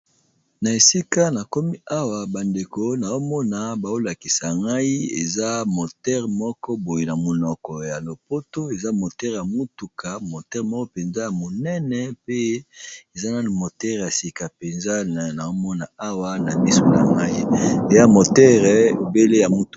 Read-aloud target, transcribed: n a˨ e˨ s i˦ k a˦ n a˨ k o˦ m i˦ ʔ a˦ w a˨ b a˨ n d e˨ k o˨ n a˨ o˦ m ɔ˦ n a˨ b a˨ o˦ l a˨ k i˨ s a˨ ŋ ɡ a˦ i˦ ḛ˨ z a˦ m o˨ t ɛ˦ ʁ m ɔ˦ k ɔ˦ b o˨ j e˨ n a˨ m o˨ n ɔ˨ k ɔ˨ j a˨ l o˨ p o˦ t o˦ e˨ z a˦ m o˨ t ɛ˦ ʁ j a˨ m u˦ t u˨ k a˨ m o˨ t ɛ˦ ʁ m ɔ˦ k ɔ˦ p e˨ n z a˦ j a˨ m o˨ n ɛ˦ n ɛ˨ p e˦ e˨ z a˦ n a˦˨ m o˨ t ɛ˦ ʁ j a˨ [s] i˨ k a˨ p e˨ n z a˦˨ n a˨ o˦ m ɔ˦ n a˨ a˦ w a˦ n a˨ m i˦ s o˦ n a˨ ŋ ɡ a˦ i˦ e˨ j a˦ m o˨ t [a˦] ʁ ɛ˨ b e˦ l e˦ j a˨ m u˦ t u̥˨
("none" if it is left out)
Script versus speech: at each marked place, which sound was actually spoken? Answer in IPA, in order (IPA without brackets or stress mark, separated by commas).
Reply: s, ɛ˦